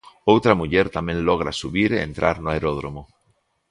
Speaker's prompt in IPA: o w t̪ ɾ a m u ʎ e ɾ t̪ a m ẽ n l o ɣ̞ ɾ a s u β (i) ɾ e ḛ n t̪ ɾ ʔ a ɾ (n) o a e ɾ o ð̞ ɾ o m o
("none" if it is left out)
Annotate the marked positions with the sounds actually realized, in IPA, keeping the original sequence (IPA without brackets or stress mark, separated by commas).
i, n